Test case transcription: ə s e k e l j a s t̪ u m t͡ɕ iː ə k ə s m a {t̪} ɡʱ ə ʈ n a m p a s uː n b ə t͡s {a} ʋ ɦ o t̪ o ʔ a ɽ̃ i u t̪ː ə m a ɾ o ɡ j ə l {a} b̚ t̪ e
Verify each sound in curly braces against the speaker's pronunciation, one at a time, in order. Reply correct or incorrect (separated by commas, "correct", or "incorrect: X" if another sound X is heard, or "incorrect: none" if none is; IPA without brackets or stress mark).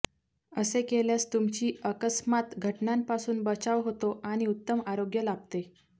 correct, correct, correct